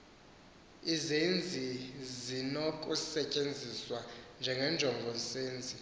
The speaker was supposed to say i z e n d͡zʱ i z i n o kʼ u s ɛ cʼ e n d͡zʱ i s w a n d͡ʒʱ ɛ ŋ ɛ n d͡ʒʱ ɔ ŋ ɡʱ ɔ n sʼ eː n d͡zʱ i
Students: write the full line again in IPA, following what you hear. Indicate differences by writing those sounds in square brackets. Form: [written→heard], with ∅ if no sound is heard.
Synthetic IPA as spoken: i z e n d͡zʱ i z i n o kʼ u s ɛ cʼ e n d͡zʱ i s w a n d͡ʒʱ ɛ ŋ ɛ n d͡ʒʱ ɔ ŋ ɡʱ ɔ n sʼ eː n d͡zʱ i